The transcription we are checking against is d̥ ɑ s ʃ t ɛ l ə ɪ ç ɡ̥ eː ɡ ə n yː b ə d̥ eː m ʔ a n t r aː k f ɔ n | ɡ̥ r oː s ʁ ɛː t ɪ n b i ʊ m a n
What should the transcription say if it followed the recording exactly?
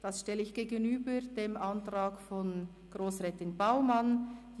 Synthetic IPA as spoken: d̥ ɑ s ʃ t ɛ l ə ɪ ç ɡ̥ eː ɡ ə n yː b ə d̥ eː m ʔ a n t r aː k f ɔ n | ɡ̥ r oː s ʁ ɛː t ɪ n b a ʊ m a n